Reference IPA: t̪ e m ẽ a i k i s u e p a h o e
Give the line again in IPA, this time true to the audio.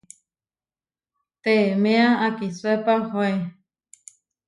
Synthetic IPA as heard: t̪ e m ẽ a a k i s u e p a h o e